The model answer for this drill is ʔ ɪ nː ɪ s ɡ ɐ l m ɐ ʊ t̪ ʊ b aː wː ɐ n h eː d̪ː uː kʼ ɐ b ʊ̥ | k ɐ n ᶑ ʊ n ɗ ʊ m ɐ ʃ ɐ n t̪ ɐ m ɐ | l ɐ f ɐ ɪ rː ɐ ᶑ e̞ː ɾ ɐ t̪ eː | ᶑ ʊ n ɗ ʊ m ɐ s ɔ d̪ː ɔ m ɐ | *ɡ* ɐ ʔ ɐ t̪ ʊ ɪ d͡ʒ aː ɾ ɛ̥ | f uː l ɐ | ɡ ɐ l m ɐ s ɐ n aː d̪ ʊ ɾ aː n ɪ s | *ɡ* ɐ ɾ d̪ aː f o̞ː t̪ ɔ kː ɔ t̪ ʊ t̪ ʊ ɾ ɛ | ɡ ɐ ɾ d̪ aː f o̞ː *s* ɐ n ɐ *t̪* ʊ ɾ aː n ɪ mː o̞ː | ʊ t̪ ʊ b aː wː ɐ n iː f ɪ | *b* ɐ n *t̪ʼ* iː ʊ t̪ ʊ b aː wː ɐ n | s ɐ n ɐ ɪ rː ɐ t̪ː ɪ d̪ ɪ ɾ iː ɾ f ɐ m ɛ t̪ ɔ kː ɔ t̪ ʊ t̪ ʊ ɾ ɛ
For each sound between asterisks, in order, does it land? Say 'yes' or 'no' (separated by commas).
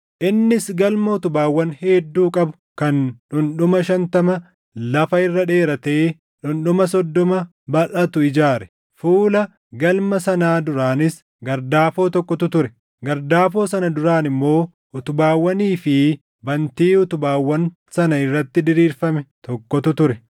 no, yes, yes, no, yes, no